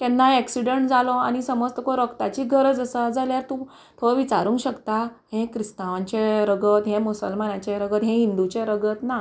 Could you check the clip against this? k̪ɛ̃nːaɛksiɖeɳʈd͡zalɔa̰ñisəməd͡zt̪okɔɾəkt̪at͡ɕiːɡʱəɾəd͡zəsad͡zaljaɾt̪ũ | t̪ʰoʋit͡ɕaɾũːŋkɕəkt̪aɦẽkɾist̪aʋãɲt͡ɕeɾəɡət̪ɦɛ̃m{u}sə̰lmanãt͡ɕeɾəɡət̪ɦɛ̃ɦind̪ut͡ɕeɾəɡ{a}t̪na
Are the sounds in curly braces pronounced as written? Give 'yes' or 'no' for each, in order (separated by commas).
yes, no